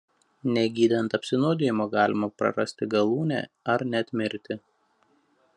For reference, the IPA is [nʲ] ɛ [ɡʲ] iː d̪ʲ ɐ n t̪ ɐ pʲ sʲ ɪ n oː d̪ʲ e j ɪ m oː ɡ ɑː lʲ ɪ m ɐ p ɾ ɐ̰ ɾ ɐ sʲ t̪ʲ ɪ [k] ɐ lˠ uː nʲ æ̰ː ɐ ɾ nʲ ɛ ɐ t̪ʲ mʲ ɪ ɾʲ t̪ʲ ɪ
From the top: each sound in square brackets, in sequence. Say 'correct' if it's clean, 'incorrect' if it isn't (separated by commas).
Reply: correct, correct, incorrect